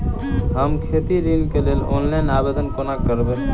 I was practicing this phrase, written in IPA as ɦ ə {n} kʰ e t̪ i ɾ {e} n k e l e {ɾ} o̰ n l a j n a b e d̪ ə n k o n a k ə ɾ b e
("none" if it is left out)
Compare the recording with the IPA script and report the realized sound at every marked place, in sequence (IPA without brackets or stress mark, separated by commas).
m, i, l